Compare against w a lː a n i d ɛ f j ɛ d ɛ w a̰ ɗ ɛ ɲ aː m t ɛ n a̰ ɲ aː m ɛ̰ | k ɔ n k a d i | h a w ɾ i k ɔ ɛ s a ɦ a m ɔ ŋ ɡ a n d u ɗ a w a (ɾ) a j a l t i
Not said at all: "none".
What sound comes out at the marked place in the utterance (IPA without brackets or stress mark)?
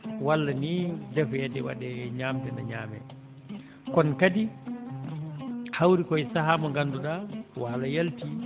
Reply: l